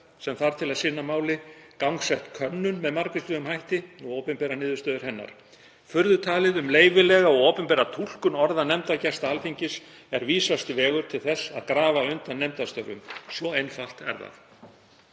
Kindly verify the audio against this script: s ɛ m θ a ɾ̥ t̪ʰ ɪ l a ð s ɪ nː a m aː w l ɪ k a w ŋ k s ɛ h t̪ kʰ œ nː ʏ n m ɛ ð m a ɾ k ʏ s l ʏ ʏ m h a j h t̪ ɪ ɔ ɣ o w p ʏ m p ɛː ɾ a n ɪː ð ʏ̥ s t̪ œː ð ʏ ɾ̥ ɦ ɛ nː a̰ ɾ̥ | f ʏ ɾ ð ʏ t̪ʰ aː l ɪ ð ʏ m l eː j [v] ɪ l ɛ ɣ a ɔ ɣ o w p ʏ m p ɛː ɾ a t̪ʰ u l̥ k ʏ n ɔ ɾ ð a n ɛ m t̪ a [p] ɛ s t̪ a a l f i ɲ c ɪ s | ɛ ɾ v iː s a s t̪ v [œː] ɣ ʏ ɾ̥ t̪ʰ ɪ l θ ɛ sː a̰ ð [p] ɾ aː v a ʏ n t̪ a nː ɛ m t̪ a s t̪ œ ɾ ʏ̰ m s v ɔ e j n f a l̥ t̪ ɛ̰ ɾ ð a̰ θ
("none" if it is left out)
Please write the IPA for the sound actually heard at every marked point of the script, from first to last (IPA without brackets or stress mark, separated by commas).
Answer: v, c, ɛː, k